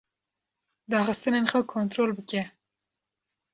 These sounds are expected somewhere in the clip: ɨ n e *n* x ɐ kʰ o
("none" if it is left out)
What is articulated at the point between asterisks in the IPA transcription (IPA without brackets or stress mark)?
n